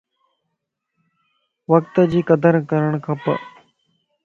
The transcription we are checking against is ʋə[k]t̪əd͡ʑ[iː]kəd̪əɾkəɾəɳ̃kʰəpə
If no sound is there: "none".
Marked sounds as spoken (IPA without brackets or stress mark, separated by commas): k, iː